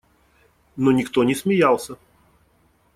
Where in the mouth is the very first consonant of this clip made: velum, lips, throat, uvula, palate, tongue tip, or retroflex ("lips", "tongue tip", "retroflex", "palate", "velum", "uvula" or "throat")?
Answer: tongue tip